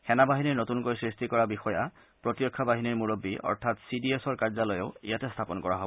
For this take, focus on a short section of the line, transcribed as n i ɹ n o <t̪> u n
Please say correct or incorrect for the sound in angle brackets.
correct